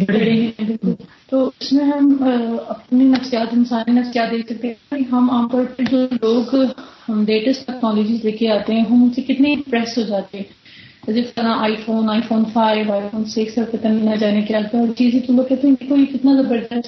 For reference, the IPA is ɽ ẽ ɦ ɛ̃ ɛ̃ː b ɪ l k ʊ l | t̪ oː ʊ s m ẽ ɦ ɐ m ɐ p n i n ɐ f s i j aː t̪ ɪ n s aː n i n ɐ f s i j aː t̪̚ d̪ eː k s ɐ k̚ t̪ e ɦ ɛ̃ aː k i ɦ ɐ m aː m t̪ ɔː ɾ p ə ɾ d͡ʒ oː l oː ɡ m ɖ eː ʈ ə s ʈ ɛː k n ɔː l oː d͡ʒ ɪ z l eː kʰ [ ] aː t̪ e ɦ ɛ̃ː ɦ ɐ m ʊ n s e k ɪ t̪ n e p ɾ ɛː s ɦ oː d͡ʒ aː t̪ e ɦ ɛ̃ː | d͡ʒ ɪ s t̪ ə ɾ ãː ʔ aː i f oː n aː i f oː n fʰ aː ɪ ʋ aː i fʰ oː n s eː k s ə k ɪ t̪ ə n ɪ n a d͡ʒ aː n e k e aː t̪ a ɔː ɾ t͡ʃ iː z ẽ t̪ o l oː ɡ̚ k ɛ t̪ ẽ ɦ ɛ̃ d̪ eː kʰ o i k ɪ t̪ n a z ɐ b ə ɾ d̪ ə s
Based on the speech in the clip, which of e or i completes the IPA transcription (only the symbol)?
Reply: e